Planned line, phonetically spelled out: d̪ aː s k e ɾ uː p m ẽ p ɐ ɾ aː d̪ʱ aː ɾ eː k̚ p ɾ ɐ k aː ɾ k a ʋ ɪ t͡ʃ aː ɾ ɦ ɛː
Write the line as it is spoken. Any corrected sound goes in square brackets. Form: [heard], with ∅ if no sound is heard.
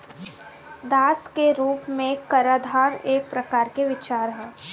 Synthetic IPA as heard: d̪ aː s k e ɾ uː p m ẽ [k] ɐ ɾ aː d̪ʱ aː ɾ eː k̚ p ɾ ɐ k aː ɾ k [e] ʋ ɪ t͡ʃ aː ɾ ɦ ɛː